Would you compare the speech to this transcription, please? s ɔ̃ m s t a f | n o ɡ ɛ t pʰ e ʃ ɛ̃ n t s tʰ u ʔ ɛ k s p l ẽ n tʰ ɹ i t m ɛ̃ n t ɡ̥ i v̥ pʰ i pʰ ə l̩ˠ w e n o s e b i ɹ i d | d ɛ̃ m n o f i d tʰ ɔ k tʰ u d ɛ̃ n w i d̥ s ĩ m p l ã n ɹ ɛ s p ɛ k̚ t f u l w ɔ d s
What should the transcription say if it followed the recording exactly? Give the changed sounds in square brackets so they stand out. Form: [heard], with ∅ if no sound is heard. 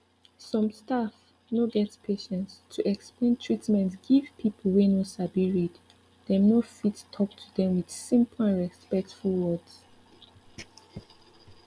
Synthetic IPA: s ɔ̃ m s t a f | n o ɡ ɛ t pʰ e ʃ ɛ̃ n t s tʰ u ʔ ɛ k s p l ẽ n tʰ ɹ i t m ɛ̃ n t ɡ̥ i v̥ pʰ i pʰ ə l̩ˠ w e n o s [a] b i ɹ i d | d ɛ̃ m n o f i [t] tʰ ɔ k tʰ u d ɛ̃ [m] w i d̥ s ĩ m p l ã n ɹ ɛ s p ɛ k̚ t f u l w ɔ d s